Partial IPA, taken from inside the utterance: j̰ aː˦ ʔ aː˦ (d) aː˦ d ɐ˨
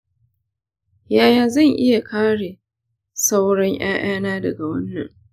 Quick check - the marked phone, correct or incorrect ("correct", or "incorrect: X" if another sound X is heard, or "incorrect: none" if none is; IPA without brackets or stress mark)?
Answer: incorrect: n